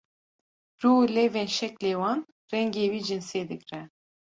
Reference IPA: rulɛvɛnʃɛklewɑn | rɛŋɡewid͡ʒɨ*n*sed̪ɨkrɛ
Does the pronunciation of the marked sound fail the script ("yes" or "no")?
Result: no